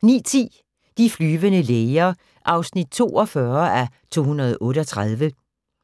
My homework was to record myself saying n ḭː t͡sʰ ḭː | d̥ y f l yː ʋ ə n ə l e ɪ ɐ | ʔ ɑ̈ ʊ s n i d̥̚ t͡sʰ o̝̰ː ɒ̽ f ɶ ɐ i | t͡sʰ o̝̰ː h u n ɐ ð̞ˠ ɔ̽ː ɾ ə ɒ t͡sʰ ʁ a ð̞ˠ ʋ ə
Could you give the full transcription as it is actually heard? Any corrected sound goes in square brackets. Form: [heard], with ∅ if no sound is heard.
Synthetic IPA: n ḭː t͡sʰ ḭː | d̥ [i] f l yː ʋ ə n ə l e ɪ ɐ | ʔ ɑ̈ ʊ s n i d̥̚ t͡sʰ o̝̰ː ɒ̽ f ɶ ɐ [æ] | t͡sʰ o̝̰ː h u n ɐ ð̞ˠ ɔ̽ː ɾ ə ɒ t͡sʰ ʁ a ð̞ˠ ʋ ə